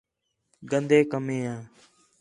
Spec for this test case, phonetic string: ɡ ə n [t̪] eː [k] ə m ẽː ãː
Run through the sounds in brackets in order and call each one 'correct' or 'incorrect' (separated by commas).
incorrect, correct